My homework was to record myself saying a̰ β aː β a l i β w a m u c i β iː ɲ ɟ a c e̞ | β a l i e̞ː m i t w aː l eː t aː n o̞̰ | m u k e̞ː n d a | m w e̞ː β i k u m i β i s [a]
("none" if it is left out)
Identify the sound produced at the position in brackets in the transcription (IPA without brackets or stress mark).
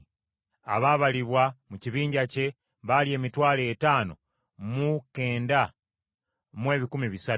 a